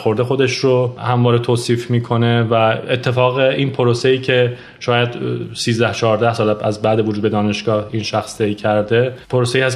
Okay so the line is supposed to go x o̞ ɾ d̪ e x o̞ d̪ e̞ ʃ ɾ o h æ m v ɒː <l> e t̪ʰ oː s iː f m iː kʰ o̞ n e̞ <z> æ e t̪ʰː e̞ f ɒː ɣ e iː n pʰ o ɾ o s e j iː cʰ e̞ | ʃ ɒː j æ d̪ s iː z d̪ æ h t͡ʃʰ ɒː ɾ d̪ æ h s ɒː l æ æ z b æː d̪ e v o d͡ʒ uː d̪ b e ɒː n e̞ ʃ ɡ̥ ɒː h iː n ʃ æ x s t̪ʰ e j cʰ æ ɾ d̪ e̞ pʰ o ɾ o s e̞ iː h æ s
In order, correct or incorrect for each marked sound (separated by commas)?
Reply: incorrect, incorrect